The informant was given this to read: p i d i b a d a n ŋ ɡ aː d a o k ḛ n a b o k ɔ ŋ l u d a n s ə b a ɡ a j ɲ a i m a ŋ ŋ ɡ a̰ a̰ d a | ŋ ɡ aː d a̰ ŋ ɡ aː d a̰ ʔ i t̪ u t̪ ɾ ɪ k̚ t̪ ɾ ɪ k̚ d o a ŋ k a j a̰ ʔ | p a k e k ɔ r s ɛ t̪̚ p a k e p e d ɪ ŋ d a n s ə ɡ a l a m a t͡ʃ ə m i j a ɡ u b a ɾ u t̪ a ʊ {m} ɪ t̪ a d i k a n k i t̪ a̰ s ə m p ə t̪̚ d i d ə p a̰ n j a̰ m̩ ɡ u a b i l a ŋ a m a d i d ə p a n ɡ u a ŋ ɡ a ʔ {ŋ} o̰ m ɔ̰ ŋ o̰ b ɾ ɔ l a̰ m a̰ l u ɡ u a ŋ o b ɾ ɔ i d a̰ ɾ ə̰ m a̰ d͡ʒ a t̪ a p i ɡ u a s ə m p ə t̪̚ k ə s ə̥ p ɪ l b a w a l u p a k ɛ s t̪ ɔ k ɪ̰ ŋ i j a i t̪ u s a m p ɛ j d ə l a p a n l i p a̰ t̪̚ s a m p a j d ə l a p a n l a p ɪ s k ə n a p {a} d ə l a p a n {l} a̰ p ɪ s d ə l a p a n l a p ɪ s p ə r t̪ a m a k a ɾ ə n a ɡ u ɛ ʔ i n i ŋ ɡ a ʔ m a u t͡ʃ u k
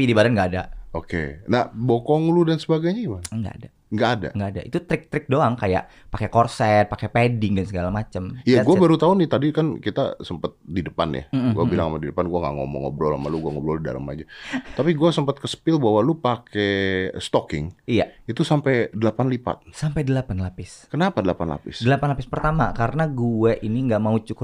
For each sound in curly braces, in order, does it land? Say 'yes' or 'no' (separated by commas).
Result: no, yes, yes, yes